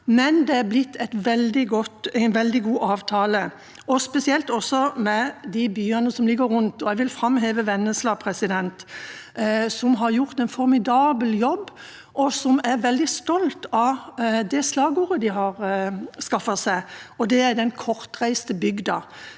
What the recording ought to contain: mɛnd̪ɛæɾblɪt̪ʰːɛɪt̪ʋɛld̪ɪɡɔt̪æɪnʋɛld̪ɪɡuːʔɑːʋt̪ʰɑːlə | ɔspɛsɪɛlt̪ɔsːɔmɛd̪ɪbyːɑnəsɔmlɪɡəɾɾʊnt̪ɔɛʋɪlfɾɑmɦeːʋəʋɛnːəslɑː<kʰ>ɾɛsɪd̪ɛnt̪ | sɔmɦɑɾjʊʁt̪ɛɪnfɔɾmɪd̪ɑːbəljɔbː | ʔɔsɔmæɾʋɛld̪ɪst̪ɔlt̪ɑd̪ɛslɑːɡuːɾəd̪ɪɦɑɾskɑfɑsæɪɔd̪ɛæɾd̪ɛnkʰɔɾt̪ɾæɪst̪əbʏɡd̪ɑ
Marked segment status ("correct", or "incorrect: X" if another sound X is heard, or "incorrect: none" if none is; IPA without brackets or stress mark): incorrect: pʰ